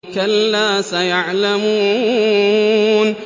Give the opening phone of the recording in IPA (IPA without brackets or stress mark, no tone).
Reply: k